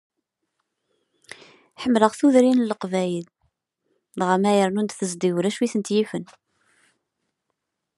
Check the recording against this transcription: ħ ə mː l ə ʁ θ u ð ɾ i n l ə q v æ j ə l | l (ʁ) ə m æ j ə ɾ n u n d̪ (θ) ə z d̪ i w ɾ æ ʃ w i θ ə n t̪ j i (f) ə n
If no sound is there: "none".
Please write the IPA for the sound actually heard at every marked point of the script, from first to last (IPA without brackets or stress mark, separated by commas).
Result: ʁ, θ, f